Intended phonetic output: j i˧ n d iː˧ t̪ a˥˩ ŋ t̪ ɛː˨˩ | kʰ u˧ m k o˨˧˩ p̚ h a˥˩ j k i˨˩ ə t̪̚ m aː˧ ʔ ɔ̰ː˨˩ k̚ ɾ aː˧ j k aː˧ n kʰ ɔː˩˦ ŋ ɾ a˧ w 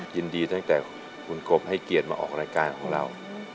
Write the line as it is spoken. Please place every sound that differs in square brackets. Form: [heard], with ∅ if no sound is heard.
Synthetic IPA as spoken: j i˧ n d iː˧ t̪ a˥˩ ŋ t̪ ɛː˨˩ | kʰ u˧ [n] k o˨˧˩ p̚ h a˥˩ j k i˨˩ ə t̪̚ m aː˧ ʔ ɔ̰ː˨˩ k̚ ɾ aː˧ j k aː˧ n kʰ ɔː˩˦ ŋ ɾ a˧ w